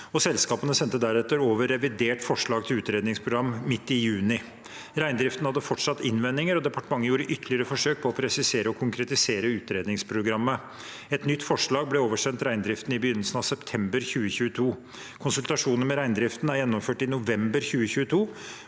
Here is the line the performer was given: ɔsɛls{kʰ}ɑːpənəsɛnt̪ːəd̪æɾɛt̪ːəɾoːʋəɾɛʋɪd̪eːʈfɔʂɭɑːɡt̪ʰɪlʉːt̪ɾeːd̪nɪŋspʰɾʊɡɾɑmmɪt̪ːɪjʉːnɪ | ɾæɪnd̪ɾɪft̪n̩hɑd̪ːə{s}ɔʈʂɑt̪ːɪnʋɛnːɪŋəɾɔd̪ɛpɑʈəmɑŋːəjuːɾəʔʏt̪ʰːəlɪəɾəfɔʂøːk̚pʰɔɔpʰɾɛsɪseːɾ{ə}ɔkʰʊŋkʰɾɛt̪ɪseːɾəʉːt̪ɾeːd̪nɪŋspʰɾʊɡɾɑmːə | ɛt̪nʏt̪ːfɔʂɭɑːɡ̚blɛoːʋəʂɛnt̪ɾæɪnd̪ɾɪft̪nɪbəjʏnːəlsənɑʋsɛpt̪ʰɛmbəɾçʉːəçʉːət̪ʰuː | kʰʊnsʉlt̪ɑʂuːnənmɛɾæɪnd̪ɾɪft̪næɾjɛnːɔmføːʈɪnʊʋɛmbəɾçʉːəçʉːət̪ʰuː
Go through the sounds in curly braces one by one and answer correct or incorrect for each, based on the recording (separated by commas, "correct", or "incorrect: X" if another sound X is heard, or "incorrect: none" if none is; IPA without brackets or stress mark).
incorrect: k, incorrect: f, correct